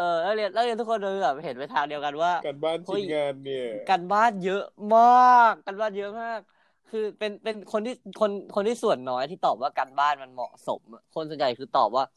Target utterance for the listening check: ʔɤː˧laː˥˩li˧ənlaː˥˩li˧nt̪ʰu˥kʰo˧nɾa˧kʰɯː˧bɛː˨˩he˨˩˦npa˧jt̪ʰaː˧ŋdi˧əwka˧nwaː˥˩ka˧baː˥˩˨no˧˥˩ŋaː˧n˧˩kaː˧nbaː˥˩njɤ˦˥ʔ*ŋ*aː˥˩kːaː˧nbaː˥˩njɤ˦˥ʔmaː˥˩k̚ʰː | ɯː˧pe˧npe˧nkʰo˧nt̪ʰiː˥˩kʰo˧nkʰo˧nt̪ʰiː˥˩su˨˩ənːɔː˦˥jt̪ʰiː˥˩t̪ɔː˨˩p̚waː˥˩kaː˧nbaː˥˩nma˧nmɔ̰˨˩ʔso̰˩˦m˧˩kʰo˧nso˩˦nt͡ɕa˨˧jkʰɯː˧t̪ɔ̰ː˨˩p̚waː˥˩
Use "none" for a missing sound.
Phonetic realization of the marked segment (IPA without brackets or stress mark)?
m